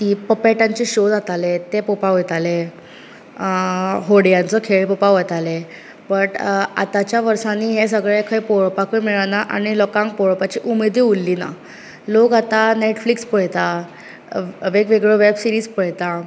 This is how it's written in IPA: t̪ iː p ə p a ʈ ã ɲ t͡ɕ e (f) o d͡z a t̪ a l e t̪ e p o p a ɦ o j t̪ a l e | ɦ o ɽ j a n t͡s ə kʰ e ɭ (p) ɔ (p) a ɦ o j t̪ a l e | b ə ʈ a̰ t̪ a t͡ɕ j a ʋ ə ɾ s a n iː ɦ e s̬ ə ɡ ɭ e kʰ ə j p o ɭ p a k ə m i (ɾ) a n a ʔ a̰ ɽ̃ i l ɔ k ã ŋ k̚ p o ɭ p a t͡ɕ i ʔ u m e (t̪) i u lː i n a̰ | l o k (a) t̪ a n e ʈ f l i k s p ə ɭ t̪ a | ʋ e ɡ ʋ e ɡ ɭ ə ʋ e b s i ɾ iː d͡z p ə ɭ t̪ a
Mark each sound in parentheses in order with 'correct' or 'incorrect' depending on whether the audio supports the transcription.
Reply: incorrect, correct, correct, incorrect, incorrect, correct

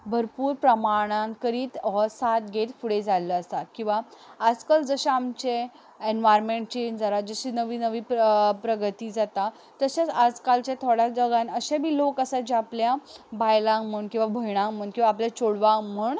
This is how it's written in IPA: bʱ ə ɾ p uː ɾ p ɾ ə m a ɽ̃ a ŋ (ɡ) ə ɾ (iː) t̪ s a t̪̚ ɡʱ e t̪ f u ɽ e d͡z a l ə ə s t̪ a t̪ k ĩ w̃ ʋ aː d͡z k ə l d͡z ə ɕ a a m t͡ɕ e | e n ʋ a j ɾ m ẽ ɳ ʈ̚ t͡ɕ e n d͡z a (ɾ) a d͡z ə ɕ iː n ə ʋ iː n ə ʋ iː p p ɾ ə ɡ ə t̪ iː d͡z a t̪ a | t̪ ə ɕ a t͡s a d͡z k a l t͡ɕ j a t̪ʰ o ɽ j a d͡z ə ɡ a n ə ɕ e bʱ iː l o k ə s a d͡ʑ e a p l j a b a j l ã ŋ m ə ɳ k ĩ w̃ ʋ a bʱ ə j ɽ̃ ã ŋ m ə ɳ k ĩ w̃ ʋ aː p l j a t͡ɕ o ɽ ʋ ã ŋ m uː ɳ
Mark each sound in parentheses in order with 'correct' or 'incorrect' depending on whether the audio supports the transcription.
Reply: incorrect, correct, correct

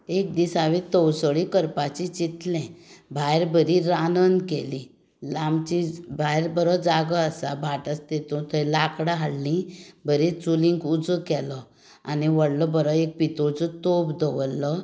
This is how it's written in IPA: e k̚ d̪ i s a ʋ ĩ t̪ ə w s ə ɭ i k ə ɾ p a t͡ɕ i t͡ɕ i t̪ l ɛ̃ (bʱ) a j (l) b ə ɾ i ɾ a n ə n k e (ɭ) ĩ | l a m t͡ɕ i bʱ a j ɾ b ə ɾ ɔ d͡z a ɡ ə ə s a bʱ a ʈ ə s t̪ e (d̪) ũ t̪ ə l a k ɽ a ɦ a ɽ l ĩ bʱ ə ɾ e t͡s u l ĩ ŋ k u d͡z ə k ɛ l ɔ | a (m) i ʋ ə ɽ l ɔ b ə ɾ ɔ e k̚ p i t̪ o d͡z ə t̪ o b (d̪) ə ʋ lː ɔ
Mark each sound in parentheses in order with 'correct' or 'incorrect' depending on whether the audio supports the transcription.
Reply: correct, incorrect, incorrect, incorrect, incorrect, correct

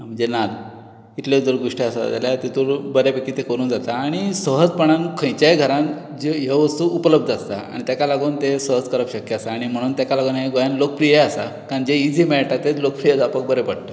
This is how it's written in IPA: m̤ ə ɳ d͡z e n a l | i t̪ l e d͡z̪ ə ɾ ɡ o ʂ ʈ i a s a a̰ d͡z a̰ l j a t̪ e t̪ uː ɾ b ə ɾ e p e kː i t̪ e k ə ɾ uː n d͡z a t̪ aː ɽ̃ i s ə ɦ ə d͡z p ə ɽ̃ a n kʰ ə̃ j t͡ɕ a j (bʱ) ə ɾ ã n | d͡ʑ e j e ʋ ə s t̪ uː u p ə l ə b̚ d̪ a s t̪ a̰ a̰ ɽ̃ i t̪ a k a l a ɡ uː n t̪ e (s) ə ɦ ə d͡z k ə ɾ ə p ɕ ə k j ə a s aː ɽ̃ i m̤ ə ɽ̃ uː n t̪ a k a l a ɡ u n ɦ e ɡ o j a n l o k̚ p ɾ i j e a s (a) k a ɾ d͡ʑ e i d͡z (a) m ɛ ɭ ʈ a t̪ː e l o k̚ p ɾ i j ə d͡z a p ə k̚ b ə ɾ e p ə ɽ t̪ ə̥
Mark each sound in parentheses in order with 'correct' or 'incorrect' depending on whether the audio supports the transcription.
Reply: incorrect, correct, correct, incorrect

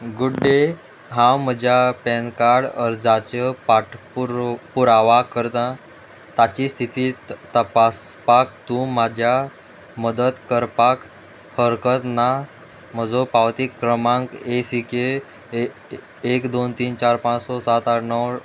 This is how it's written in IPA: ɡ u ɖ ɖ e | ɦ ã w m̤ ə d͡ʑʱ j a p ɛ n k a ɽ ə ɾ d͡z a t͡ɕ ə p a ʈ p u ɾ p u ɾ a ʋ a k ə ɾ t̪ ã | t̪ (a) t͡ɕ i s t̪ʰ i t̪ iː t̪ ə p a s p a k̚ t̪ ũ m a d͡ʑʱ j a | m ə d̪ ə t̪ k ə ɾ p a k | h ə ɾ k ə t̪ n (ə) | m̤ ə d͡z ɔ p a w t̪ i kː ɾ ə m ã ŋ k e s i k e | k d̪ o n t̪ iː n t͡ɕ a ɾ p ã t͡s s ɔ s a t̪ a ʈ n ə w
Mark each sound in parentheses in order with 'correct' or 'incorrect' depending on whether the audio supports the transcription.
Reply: correct, incorrect

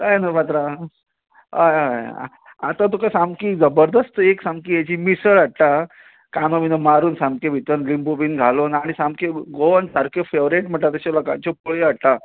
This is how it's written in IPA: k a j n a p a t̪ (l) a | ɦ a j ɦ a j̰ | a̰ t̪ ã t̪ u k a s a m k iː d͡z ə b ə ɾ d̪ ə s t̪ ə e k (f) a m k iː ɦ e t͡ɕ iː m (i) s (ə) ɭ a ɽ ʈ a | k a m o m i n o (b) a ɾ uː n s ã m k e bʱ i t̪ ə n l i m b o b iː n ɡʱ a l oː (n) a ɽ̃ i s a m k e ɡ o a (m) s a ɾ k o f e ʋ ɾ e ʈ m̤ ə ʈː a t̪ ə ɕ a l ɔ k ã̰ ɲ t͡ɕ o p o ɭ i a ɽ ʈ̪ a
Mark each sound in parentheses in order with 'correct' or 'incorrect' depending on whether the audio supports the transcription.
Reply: incorrect, incorrect, correct, correct, incorrect, correct, incorrect

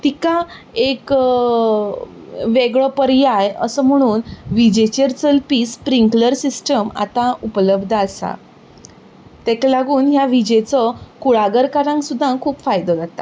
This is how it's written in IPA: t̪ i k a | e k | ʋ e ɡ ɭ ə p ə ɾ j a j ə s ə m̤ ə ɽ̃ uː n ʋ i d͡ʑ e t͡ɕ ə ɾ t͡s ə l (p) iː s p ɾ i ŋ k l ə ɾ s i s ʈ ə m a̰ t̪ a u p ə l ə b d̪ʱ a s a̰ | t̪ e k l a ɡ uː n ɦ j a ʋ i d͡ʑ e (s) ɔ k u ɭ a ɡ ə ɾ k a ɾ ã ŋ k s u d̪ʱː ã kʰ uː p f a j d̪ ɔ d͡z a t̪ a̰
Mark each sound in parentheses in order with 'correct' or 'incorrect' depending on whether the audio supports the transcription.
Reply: correct, incorrect

